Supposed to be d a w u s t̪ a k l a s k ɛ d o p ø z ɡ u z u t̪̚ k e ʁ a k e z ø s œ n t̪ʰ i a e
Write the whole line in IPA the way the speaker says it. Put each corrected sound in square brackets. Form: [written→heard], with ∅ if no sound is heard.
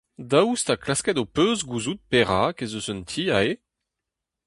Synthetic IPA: d a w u s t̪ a k l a s k ɛ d o p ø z ɡ u z u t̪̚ [k→p] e ʁ a k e z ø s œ n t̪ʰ i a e